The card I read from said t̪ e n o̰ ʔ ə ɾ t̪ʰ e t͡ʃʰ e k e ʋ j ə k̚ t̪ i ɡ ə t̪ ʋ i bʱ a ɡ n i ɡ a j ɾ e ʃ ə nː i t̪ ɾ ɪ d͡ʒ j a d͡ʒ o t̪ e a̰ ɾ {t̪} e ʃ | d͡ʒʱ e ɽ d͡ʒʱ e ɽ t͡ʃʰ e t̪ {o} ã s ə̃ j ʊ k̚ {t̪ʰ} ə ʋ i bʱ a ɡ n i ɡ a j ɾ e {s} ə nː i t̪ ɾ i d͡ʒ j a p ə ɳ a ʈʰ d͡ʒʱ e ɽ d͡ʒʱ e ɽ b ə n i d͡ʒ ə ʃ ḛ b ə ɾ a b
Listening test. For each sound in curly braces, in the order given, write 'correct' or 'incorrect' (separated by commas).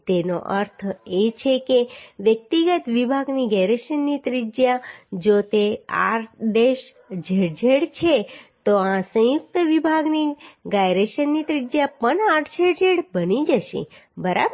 incorrect, correct, incorrect, incorrect